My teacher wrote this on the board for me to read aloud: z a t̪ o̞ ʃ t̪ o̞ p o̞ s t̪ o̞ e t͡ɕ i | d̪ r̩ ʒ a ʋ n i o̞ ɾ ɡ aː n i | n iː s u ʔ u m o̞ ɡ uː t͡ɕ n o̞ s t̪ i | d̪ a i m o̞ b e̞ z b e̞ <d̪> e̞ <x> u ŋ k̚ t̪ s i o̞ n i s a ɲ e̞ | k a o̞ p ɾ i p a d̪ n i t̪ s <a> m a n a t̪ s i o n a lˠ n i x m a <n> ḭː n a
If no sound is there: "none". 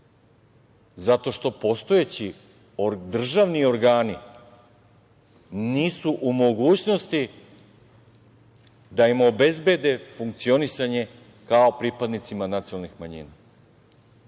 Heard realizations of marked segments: d̪, f, i, ɲ

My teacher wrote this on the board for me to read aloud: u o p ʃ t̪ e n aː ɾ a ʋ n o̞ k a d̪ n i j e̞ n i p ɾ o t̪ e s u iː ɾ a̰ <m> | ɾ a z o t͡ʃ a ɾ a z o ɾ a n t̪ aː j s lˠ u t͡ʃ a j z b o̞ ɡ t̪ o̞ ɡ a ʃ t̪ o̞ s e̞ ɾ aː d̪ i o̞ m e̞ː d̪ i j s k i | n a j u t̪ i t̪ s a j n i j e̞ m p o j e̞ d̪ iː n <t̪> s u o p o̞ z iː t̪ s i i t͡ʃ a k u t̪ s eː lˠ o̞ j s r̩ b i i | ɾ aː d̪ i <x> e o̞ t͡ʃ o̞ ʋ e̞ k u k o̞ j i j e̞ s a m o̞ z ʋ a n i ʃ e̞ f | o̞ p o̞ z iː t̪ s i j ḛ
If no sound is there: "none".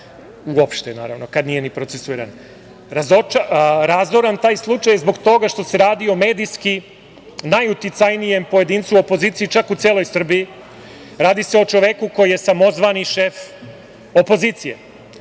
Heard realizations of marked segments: n, t̪, s

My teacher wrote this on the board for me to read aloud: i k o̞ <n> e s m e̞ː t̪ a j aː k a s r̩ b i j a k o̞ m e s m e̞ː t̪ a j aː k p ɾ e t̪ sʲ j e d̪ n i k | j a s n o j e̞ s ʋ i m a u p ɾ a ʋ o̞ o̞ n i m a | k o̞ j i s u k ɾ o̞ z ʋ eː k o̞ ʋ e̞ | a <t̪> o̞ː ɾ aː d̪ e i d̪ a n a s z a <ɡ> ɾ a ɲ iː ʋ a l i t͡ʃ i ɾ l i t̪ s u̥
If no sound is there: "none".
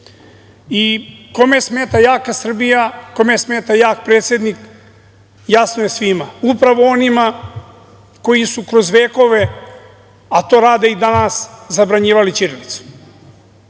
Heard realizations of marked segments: m, t̪, b

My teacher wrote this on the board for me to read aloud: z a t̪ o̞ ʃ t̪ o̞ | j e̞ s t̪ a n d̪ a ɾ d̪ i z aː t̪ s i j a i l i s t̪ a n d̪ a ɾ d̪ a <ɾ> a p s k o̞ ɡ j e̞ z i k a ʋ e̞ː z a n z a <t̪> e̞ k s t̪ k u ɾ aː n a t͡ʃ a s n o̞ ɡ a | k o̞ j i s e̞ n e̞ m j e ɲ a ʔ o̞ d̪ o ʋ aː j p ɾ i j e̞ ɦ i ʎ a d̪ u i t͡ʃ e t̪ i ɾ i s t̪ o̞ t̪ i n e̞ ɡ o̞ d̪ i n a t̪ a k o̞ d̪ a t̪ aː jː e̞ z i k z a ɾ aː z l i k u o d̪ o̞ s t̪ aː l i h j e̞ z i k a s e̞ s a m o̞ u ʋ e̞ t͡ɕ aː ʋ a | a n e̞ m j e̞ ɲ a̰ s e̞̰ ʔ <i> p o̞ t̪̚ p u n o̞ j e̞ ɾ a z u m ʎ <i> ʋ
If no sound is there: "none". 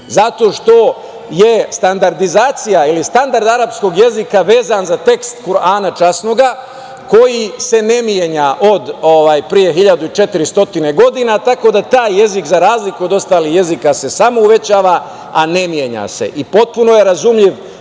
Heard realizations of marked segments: ɾ, t̪, i, i

